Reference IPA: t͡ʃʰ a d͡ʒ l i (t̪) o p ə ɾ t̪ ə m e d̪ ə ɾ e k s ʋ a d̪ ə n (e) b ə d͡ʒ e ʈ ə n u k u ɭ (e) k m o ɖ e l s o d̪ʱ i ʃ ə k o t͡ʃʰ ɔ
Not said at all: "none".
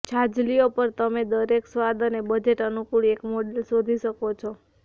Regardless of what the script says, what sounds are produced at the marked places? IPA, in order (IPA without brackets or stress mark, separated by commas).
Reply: none, e, e